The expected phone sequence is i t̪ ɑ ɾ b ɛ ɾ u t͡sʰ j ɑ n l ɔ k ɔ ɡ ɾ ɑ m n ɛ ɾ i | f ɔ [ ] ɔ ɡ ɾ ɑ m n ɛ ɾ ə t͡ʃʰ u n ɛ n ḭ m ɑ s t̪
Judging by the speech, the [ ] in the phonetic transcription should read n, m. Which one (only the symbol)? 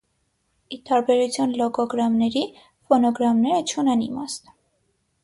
n